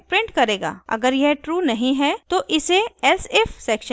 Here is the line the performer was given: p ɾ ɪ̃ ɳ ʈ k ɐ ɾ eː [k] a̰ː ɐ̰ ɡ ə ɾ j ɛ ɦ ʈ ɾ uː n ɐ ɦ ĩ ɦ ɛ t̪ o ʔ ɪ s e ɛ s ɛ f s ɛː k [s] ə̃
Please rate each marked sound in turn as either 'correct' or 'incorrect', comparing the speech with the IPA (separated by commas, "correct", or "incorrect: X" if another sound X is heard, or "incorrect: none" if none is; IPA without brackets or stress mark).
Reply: incorrect: ɡ, incorrect: ʃ